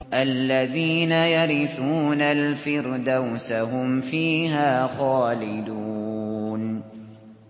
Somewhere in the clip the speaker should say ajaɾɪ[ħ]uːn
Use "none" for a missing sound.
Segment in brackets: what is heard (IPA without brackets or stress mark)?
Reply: θ